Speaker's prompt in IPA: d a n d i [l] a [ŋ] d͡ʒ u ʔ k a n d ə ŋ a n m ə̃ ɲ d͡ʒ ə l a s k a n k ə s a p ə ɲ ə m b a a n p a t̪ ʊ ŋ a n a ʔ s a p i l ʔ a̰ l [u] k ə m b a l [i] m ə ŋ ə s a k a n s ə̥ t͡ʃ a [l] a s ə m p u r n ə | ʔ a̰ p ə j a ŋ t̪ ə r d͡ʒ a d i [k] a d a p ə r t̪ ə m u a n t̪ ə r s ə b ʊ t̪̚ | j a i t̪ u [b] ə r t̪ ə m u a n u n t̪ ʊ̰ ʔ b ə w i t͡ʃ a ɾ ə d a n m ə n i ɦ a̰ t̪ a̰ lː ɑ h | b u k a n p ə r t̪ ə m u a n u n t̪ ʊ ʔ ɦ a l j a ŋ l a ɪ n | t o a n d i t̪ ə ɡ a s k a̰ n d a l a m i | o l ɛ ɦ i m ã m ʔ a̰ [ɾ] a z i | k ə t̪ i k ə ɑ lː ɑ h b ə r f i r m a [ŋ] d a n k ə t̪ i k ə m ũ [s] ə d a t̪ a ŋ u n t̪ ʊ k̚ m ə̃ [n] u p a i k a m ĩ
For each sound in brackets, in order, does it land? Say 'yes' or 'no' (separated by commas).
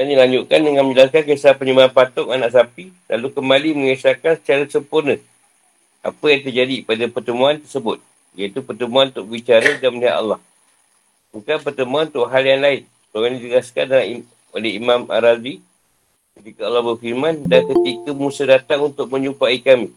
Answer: yes, no, yes, yes, no, no, no, yes, no, yes, no